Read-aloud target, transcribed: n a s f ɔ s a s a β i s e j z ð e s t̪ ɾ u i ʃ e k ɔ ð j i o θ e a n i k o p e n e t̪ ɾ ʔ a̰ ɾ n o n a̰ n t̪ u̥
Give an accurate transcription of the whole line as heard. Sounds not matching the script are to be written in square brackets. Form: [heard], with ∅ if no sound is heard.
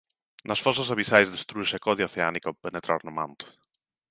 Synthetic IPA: n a s f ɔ s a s a β i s [a] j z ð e s t̪ ɾ u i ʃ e k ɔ ð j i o θ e a n i k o p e n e t̪ ɾ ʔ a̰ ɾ n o [m] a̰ n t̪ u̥